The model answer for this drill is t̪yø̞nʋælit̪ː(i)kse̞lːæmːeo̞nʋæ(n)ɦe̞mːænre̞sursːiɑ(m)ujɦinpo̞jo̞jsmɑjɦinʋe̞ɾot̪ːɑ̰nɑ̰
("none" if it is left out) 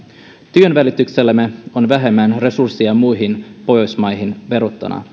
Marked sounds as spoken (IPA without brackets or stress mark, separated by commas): y, none, m